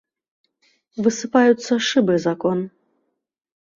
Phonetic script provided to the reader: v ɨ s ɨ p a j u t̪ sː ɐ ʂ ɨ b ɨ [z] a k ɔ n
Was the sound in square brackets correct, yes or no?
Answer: yes